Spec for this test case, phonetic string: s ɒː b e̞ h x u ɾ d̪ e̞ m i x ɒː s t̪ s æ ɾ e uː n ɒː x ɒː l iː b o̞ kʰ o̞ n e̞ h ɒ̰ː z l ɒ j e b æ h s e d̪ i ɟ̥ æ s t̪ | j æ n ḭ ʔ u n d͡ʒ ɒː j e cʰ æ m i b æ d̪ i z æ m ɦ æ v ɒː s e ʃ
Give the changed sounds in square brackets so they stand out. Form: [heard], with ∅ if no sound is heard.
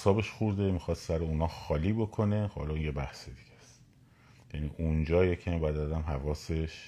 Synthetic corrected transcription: s ɒː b e̞ [ʃ] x u ɾ d̪ e̞ m i x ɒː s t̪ s æ ɾ e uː n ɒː x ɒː l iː b o̞ kʰ o̞ n e̞ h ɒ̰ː [∅] l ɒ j e b æ h s e d̪ i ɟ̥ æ s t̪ | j æ n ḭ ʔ u n d͡ʒ ɒː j e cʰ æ m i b æ d̪ [æ] z æ m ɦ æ v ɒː s e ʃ